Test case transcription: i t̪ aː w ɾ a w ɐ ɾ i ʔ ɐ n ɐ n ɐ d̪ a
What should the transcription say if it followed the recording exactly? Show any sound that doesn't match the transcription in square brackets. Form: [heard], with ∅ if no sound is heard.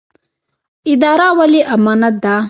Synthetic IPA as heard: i [d̪] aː [∅] ɾ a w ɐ [l] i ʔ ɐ [m] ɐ n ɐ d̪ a